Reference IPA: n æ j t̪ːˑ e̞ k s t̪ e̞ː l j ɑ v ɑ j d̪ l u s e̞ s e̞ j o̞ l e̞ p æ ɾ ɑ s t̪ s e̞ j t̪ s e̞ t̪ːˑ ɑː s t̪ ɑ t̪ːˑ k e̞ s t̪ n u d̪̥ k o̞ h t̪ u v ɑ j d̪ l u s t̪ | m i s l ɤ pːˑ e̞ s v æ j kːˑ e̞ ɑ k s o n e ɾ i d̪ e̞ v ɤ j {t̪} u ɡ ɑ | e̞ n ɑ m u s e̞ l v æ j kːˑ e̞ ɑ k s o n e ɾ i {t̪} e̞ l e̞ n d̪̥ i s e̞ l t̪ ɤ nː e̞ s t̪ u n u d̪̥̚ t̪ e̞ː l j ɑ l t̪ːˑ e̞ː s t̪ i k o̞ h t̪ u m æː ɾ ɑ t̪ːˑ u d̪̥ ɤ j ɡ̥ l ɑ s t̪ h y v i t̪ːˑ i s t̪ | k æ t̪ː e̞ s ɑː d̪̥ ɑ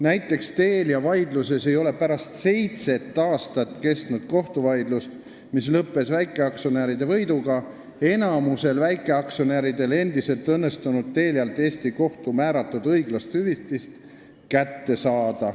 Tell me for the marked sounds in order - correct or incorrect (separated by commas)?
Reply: incorrect, incorrect